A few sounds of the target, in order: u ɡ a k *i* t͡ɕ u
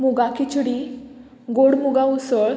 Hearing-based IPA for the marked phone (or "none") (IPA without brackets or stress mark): i